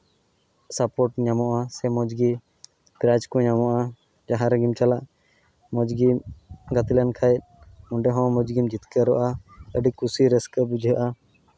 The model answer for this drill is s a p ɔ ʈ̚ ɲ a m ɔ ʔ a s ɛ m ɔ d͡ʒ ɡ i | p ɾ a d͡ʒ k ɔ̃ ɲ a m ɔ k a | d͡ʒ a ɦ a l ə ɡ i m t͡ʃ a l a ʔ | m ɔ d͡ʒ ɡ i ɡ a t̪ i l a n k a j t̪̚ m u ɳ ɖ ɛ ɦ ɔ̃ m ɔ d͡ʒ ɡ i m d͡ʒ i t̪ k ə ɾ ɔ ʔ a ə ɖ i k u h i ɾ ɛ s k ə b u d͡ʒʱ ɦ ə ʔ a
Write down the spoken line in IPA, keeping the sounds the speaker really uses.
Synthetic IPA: s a p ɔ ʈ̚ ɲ a m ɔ ʔ a s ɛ m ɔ d͡ʒ ɡ i | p ɾ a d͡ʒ k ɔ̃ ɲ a m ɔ ʔ a | d͡ʒ a ɦ a ɾ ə ɡ i m t͡ʃ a l a ʔ | m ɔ d͡ʒ ɡ i ɡ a t̪ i l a n kʰ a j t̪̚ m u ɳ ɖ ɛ ɦ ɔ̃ m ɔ d͡ʒ ɡ i m d͡ʒ i t̪ k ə ɾ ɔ ʔ a ə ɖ i k u s i ɾ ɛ s k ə b u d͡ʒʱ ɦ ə ʔ a